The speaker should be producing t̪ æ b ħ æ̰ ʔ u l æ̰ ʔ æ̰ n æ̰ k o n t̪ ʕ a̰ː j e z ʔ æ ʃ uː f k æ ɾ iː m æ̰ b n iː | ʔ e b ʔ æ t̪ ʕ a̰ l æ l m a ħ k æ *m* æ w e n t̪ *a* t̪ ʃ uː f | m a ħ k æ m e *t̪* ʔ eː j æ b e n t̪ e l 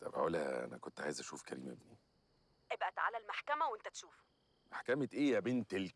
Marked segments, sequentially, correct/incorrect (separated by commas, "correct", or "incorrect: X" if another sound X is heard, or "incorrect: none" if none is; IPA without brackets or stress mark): correct, incorrect: æ, correct